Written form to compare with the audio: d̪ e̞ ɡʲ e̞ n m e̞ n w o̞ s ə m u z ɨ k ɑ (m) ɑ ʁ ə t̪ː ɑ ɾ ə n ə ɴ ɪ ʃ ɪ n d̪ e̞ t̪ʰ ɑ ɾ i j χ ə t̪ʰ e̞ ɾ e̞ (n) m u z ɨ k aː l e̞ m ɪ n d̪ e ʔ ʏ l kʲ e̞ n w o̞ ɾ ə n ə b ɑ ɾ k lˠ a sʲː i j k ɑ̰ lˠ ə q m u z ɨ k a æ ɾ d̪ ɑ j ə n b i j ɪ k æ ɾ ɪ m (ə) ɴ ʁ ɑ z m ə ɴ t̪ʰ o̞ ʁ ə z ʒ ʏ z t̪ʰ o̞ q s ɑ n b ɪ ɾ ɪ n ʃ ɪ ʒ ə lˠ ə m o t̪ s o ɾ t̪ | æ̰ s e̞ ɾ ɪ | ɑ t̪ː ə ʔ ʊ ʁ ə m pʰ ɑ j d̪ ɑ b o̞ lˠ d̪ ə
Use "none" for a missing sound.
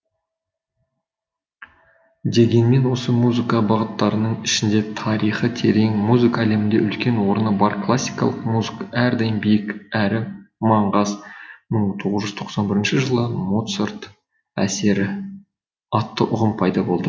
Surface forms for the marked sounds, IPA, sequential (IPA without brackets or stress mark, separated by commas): b, ŋ, ɑ